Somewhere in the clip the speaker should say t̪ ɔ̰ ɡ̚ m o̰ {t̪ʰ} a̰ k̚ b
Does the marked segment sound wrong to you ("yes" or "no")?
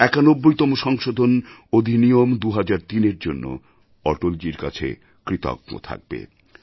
no